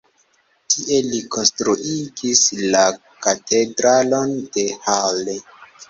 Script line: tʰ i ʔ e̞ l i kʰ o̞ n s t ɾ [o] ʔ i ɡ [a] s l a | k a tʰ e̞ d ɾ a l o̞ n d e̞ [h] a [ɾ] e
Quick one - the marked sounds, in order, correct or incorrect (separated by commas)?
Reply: incorrect, incorrect, correct, incorrect